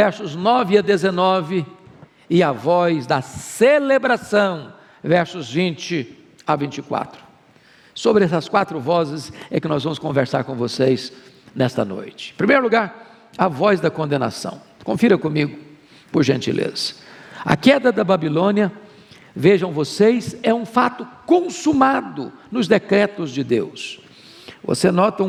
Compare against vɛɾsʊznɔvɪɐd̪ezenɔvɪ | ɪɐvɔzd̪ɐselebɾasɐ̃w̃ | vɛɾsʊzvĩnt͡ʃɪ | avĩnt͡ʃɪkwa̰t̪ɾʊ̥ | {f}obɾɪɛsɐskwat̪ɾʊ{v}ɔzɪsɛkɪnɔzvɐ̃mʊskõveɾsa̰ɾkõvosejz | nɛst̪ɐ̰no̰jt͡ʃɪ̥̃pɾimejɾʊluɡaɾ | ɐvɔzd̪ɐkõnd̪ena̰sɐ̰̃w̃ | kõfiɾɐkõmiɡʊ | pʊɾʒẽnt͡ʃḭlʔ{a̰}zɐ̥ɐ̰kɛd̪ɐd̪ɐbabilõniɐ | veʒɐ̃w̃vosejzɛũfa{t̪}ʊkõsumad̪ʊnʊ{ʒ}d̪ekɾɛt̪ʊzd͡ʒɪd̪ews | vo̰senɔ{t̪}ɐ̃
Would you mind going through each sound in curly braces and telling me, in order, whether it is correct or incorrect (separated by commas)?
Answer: incorrect, correct, incorrect, correct, incorrect, correct